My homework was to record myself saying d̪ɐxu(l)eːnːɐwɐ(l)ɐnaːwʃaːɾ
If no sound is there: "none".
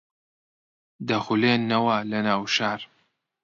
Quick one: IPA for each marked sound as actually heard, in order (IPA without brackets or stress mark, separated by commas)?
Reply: l, l